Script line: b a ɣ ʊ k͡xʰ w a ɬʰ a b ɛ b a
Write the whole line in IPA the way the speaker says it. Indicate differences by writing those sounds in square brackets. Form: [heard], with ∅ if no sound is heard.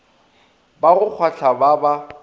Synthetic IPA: b a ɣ ʊ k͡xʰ w a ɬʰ a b [a] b a